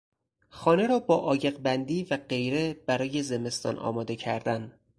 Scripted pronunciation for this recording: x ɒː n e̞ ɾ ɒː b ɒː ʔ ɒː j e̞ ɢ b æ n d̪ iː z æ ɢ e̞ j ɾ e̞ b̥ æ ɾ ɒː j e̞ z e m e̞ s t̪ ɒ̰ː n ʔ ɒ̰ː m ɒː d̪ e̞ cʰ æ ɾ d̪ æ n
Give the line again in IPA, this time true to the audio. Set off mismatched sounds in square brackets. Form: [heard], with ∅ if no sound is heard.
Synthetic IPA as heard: x ɒː n e̞ ɾ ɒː b ɒː ʔ ɒː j e̞ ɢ b æ n d̪ iː [v] æ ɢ e̞ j ɾ e̞ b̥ æ ɾ ɒː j e̞ z e m e̞ s t̪ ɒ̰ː n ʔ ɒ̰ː m ɒː d̪ e̞ cʰ æ ɾ d̪ æ n